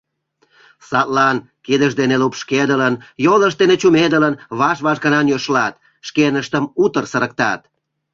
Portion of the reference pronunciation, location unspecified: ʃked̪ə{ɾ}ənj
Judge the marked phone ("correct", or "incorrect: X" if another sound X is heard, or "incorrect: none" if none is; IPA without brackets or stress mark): incorrect: l